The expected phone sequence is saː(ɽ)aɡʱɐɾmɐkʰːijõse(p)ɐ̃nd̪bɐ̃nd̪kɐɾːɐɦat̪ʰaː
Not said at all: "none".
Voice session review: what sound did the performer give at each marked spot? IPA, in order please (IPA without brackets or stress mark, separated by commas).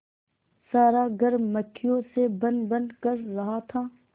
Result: ɾ, b